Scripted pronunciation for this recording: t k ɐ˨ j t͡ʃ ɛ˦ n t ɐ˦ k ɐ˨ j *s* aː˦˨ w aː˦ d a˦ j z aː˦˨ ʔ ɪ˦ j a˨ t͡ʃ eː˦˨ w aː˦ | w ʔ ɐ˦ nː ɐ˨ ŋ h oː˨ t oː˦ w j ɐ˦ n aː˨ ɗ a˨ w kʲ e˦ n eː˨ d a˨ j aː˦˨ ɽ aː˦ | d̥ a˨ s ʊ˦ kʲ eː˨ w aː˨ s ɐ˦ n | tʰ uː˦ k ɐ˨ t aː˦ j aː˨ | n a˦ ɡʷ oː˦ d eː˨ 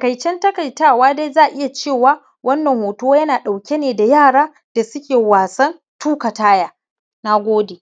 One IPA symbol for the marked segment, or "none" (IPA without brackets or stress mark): t